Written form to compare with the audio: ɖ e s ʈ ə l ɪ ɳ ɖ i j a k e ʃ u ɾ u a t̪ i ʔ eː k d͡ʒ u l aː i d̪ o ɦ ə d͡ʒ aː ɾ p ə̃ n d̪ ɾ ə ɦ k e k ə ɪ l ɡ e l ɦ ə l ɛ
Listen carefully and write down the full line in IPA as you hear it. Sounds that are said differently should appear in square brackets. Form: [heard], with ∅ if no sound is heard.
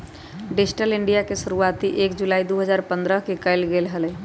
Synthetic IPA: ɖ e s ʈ ə l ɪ ɳ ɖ i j a k e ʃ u ɾ u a t̪ i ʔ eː k d͡ʒ u l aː i d̪ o ɦ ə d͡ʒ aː ɾ p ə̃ n d̪ ɾ ə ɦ k e k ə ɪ l ɡ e l ɦ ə l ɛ